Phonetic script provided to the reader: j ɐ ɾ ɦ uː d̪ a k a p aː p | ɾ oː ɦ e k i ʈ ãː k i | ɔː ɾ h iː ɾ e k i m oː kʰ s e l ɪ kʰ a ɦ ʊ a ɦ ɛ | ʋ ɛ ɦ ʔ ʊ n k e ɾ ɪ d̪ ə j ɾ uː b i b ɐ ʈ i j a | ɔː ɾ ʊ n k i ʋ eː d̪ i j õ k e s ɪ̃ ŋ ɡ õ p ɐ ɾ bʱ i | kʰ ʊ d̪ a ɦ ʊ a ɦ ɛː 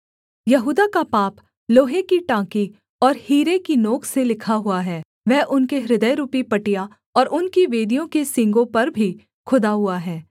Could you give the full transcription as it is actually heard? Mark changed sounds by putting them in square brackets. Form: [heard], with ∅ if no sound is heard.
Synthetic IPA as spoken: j ɐ [∅] ɦ uː d̪ a k a p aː p | [l] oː ɦ e k i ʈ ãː k i | ɔː ɾ h iː ɾ e k i [n] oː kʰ s e l ɪ kʰ a ɦ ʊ a ɦ [ɛː] | ʋ ɛ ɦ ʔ ʊ n k e ɾ ɪ d̪ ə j ɾ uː [p] i [p] ɐ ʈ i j a | ɔː ɾ ʊ n k i ʋ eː d̪ i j õ k e s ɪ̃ ŋ ɡ õ p ɐ ɾ bʱ i | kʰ ʊ d̪ a ɦ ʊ a ɦ ɛː